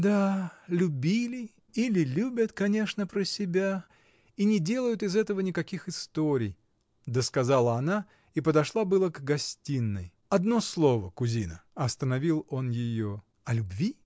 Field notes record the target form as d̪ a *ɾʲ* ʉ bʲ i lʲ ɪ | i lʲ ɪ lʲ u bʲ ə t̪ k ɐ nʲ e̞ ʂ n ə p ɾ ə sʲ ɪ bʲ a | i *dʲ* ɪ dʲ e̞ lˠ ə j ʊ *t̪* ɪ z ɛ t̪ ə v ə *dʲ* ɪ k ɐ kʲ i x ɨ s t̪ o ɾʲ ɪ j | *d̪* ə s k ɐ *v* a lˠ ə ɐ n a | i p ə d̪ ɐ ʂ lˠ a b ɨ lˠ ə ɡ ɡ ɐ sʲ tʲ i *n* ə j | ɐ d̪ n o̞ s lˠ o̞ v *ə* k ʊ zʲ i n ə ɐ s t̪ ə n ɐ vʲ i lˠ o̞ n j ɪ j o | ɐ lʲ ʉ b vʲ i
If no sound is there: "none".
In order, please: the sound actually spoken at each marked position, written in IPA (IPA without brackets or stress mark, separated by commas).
lʲ, nʲ, t̪, nʲ, d̪, z, nː, ə